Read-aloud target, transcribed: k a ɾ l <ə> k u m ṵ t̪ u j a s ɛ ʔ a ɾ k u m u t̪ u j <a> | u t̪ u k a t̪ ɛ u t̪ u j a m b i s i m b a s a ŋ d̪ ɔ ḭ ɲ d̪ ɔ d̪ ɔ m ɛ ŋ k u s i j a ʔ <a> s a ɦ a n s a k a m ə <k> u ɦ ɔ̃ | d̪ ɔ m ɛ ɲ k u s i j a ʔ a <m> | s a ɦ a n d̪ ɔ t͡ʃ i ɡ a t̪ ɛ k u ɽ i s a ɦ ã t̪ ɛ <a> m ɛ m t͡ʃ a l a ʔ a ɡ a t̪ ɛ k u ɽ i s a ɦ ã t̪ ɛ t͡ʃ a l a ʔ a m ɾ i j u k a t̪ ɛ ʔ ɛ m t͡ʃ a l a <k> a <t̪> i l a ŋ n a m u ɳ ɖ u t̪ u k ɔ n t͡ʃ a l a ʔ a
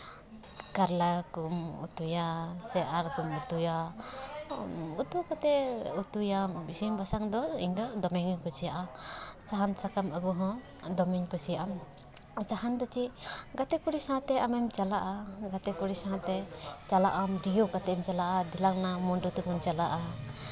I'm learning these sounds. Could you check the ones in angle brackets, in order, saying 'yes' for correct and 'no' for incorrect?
no, yes, yes, no, yes, yes, no, no

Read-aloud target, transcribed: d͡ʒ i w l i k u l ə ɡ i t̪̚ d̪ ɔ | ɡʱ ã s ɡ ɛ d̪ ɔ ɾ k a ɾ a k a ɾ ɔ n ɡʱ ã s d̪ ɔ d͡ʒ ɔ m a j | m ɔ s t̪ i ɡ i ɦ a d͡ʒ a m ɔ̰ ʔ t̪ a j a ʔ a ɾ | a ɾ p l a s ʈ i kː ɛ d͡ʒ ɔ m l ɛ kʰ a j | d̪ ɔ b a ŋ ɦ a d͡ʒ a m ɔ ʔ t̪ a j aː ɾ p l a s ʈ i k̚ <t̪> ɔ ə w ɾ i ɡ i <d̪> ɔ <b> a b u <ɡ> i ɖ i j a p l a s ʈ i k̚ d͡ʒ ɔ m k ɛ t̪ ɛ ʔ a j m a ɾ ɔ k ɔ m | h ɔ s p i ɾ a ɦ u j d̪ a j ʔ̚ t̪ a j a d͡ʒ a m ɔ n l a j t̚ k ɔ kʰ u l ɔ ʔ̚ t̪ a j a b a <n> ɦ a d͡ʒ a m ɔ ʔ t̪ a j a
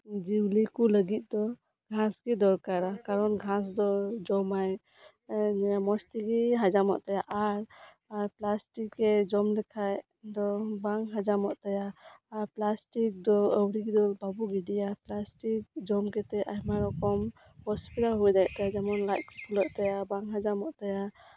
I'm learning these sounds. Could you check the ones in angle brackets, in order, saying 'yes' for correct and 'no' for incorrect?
no, yes, yes, yes, no

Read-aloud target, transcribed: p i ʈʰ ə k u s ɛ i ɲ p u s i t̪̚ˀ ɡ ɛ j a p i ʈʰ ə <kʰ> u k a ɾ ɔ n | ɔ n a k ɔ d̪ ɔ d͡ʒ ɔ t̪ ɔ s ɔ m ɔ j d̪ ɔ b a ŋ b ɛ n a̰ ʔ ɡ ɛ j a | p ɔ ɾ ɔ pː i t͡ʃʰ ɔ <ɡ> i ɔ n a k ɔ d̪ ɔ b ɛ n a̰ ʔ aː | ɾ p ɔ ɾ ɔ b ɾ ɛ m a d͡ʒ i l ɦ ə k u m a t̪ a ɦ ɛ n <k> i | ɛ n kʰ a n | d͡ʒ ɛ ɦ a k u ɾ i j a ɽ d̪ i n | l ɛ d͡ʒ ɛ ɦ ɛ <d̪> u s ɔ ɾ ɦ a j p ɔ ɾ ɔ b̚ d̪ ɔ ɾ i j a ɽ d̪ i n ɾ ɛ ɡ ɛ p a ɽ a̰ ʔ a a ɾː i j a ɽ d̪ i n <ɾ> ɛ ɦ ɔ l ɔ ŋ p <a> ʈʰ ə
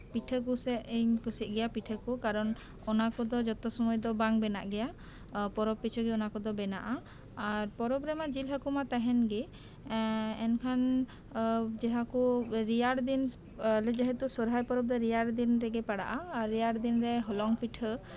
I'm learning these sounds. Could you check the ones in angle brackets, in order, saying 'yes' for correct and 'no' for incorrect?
no, yes, no, no, yes, no

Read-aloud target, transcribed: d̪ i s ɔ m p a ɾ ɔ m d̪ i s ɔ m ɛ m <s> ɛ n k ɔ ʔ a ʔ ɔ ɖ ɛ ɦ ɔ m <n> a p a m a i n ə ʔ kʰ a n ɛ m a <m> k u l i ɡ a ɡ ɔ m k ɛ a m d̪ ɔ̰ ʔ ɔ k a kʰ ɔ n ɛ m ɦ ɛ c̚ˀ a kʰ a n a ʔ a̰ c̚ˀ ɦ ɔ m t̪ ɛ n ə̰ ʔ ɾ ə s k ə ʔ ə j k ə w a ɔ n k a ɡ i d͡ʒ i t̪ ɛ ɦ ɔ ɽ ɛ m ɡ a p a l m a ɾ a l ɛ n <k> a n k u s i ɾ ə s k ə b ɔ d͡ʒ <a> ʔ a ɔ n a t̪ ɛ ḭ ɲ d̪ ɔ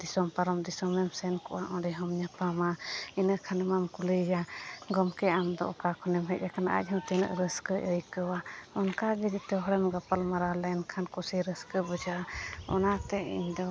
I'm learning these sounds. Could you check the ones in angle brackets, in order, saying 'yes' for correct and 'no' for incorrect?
yes, no, yes, no, yes

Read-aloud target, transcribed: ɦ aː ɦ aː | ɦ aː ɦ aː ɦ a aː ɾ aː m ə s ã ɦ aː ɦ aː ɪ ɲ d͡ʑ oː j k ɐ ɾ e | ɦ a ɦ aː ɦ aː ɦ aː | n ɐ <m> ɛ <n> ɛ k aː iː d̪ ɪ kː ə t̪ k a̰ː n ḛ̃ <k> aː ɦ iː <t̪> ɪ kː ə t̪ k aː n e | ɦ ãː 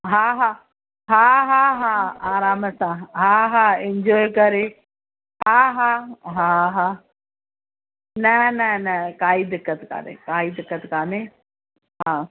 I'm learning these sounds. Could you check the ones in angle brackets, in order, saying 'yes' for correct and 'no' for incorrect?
no, yes, yes, no

